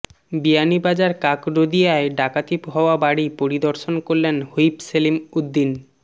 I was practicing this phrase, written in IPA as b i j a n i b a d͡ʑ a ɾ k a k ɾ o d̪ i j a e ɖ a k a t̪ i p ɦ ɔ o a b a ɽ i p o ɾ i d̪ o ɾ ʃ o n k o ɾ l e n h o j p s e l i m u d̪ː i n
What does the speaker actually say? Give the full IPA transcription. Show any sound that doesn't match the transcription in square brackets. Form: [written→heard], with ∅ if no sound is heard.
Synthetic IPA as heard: b i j a n i b a d͡ʑ a ɾ k a k ɾ o d̪ i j a e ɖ a k a t̪ i p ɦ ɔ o a b a ɽ i p o ɾ i d̪ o ɾ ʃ o n k o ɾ l e n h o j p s e l i m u d̪ː i n